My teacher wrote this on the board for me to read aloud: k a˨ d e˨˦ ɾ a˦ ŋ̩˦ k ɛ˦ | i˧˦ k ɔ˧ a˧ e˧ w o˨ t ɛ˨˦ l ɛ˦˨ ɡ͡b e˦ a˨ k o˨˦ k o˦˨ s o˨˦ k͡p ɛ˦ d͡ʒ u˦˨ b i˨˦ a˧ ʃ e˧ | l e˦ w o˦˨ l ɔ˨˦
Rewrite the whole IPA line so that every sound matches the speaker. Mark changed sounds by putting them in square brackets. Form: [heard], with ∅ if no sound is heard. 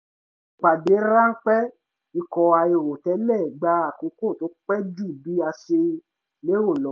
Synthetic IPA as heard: [k͡p] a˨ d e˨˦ ɾ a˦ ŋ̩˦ [k͡p] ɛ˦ | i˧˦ k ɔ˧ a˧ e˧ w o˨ t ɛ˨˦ l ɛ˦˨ ɡ͡b [a˦] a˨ k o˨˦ k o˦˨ [t] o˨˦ k͡p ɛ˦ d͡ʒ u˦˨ b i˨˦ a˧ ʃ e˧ | l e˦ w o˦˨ l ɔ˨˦